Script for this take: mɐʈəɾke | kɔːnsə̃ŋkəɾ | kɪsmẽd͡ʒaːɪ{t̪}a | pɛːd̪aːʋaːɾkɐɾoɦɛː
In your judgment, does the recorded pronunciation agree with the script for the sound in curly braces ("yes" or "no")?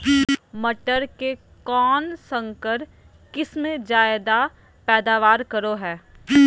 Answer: no